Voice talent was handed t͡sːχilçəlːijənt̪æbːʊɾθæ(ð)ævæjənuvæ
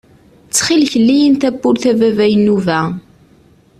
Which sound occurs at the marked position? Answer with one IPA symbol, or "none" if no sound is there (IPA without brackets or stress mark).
v